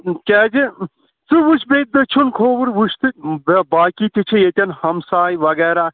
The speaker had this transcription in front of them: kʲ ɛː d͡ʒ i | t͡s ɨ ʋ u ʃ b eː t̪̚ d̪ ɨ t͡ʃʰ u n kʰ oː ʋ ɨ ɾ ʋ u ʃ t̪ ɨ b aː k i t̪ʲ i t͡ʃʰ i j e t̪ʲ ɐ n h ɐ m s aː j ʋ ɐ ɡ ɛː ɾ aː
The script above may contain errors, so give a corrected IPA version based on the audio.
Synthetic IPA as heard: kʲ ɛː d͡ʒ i | t͡s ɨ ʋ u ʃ b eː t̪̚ d̪ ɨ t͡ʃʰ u n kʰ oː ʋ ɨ ɾ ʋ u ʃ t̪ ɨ b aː k i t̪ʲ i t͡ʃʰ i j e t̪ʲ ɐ n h ɐ m s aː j ʋ ɐ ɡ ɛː ɾ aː